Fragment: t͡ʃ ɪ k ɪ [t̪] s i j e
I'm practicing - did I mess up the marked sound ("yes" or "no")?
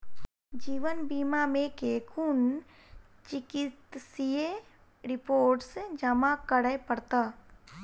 no